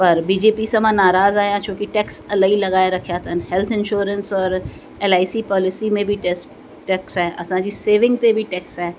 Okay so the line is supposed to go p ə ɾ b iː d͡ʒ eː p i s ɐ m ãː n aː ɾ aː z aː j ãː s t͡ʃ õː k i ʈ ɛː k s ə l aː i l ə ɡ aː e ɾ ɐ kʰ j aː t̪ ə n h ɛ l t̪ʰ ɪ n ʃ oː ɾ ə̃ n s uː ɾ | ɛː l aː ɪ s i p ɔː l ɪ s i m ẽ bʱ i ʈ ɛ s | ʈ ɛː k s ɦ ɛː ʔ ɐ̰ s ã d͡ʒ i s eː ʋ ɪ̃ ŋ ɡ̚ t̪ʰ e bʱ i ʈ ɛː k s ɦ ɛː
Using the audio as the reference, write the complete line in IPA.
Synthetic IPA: p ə ɾ b iː d͡ʒ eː p i s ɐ m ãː n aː ɾ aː z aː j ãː t͡ʃ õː k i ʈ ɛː k s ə l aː i l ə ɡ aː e ɾ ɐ kʰ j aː t̪ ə n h ɛ l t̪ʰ ɪ n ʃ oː ɾ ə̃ n s ɔː ɾ | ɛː l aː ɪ s i p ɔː l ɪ s i m ẽ bʱ i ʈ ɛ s | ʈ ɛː k s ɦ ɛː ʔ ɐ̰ s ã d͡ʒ i s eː ʋ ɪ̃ ŋ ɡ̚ t̪ e bʱ i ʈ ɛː k s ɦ ɛː

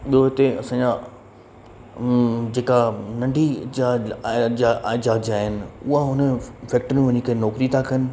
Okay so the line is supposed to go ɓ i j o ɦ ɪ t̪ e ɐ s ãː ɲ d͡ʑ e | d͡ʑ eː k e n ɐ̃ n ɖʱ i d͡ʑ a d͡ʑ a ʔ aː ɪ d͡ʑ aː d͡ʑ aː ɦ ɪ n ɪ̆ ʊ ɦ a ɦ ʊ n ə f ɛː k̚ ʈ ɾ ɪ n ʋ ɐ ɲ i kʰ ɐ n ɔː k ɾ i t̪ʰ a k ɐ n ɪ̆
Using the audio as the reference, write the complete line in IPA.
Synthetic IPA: ɓ i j o ɦ ɪ t̪ e ɐ s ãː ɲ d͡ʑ a | d͡ʑ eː k a n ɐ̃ ɳ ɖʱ i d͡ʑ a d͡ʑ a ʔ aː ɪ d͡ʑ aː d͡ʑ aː ɦ ɪ n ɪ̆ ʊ ɦ a ɦ ʊ n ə f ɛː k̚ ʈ ɾ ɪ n ʋ ɐ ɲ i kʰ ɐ n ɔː k ɾ i t̪ʰ a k ɐ n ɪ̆

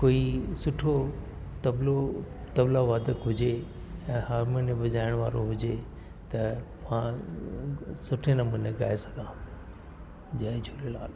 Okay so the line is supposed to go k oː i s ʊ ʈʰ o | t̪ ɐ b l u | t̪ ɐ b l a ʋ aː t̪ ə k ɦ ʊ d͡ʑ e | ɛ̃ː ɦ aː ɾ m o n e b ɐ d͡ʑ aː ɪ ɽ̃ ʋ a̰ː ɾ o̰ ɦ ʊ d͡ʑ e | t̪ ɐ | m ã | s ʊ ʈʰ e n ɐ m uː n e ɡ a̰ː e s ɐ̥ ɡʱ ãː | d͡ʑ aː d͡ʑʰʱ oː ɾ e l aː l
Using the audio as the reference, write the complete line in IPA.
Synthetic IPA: k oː i s ʊ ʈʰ o | t̪ ɐ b l o | t̪ ɐ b l a ʋ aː d̪ ə k ɦ ʊ d͡ʑ e | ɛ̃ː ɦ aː ɾ m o n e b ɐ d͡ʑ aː ɪ ɽ̃ ʋ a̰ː ɾ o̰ ɦ ʊ d͡ʑ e | t̪ ɐ | m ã | s ʊ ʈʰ e n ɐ m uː n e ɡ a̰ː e s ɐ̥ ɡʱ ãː | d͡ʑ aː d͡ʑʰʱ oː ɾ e l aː l

